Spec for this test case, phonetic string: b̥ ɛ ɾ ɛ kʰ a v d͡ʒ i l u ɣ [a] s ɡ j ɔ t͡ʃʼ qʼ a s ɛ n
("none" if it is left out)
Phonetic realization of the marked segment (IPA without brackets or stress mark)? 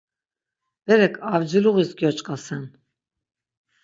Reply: i